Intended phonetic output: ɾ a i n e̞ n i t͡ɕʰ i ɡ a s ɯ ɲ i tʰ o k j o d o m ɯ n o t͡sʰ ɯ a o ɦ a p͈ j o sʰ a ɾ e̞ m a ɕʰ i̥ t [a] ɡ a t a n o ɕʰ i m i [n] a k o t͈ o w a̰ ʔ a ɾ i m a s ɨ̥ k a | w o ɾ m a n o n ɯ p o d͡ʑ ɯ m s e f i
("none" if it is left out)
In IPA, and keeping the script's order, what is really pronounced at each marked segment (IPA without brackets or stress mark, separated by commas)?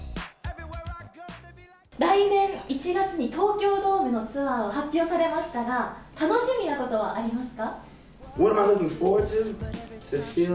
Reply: a, n